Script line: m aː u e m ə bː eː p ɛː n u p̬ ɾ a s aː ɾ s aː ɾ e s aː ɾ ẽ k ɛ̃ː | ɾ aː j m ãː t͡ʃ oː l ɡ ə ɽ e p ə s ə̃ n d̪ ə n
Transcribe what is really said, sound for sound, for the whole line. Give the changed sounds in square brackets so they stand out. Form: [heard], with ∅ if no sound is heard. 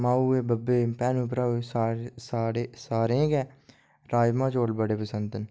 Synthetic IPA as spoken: m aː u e [b] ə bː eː p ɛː n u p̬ ɾ a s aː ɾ s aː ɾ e s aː ɾ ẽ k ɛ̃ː | ɾ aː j m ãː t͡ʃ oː l [b] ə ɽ e p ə s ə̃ n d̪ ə n